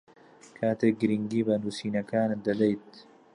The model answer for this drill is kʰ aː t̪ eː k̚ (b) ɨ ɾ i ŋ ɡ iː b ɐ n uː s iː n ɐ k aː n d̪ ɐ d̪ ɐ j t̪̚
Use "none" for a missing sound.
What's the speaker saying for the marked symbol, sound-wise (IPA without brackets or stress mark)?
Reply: ɡ